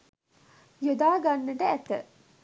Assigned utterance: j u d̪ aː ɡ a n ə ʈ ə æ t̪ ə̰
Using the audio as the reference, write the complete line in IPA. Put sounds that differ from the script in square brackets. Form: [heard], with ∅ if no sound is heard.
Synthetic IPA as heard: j [o] d̪ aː ɡ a [nː] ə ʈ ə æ t̪ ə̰